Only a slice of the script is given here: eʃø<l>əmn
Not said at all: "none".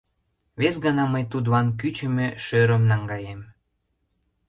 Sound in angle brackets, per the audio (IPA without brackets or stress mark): ɾ